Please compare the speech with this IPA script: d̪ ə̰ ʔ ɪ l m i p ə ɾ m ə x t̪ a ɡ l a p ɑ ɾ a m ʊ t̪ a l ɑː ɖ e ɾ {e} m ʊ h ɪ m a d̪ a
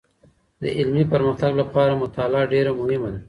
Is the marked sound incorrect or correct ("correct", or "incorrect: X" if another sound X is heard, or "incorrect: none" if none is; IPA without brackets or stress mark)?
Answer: incorrect: a